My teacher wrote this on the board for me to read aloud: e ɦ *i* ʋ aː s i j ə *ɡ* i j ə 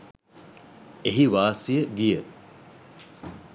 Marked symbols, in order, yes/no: yes, yes

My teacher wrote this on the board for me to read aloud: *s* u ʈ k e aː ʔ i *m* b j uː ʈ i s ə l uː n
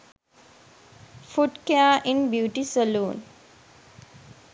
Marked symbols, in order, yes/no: no, no

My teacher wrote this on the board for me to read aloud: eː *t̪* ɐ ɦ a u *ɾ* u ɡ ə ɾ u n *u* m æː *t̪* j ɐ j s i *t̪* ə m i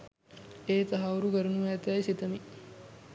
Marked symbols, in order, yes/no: yes, yes, yes, yes, yes

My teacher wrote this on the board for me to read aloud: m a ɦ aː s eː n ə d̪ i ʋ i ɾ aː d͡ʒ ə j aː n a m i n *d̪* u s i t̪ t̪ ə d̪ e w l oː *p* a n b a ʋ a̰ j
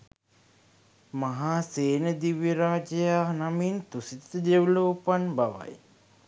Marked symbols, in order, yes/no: no, yes

